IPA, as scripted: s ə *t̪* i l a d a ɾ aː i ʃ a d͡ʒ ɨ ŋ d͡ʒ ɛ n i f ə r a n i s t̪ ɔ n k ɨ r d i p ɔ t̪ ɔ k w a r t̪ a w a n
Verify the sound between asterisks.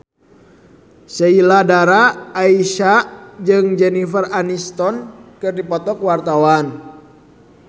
incorrect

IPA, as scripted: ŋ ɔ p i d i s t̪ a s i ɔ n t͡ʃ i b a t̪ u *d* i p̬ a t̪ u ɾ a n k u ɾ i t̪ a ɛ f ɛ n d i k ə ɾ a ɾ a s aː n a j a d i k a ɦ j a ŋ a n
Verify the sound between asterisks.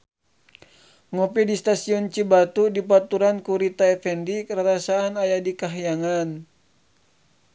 correct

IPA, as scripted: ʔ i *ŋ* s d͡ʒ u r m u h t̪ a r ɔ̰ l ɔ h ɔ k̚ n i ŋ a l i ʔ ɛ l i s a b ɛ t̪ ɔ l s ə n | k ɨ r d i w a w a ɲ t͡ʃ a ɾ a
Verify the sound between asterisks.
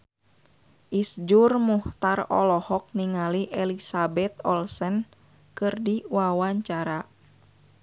incorrect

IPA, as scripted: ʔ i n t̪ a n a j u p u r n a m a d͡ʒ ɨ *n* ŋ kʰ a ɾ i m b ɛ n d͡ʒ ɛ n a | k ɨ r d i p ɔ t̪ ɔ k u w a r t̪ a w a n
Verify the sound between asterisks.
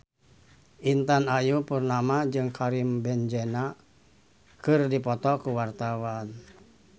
incorrect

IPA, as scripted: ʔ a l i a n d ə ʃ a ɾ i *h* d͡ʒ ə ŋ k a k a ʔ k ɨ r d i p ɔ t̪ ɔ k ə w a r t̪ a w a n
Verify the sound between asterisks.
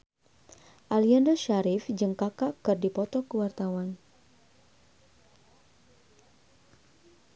incorrect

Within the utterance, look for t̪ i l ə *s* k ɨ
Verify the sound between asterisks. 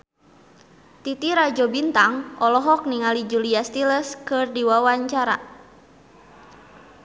correct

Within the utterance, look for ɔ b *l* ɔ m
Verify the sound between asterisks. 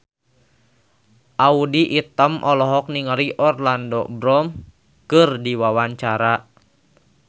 incorrect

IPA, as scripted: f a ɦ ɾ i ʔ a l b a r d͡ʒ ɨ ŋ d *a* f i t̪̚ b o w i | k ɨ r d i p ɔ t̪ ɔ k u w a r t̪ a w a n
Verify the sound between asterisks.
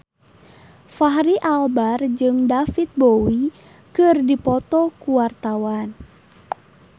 correct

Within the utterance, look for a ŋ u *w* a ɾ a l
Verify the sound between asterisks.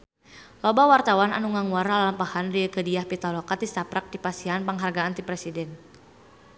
correct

